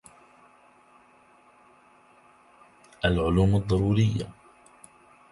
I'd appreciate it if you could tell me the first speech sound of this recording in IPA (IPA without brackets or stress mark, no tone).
ʔ